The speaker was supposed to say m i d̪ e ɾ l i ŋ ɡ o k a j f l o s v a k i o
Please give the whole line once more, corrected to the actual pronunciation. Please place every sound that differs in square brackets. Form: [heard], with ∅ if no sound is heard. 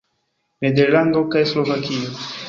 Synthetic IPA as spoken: m [e] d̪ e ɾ l [a] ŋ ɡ o k a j [s] l o [∅] v a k i o